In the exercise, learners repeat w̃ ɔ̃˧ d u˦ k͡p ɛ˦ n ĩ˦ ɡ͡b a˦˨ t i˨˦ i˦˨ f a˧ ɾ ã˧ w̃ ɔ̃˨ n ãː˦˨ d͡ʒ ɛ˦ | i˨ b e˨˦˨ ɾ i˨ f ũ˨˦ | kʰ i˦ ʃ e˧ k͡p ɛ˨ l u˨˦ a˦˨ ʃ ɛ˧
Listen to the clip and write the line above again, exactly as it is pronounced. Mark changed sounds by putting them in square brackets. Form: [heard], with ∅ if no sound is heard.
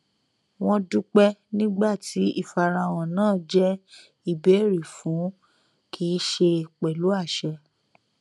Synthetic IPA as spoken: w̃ ɔ̃˧ d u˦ k͡p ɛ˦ n ĩ˦ ɡ͡b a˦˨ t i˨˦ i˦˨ f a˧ ɾ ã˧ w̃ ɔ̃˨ n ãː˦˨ d͡ʒ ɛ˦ | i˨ b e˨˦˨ ɾ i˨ f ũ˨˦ | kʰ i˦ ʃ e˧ k͡p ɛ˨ l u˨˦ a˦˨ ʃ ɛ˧